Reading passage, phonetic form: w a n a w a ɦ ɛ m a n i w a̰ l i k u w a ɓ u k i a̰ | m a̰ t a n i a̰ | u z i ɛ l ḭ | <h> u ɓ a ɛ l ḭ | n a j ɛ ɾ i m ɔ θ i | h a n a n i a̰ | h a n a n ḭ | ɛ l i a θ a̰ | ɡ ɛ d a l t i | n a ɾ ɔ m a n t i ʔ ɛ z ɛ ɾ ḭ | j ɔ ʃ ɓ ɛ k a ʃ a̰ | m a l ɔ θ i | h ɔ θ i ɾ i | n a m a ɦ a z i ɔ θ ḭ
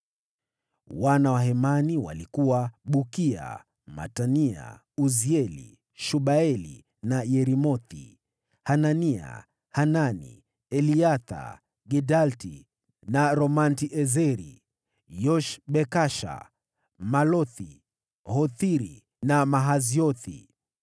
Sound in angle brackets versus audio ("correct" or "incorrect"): incorrect